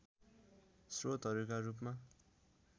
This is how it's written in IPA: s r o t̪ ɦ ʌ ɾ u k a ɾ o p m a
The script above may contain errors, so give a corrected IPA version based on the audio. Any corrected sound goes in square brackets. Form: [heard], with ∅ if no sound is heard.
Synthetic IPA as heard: s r o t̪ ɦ ʌ ɾ u k a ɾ [u] p m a